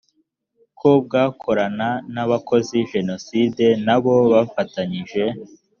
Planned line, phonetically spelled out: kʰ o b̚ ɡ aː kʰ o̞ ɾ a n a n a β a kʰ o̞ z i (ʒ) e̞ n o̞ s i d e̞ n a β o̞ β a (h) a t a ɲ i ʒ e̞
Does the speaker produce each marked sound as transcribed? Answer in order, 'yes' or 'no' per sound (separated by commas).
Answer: yes, no